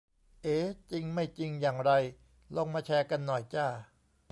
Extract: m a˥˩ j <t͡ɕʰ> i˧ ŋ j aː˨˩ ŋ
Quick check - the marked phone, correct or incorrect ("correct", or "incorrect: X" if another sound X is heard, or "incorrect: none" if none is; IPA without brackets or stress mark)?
incorrect: t͡ɕ